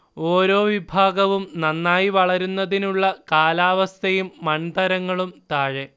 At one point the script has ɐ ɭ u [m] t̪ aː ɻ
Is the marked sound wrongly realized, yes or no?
no